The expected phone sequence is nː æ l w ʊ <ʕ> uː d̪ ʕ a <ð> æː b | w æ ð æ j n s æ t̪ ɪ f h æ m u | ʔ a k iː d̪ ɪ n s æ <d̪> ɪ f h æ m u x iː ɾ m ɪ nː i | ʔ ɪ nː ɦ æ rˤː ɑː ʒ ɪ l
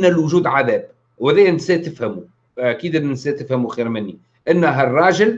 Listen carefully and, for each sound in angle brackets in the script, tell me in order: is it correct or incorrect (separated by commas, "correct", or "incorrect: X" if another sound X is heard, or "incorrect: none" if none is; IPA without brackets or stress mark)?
incorrect: ʒ, correct, incorrect: t̪